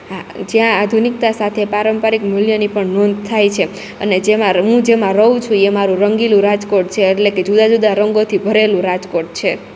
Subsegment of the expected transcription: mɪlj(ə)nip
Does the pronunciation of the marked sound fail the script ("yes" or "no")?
no